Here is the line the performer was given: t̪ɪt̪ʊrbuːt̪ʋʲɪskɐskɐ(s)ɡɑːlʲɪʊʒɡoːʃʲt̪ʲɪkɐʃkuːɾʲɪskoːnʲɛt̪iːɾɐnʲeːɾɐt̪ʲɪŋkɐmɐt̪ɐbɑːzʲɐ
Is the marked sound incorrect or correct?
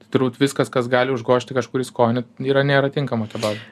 correct